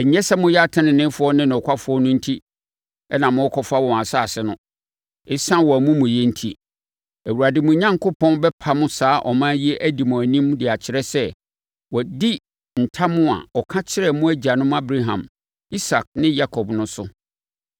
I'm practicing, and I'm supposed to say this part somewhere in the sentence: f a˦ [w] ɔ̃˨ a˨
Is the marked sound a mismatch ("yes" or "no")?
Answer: no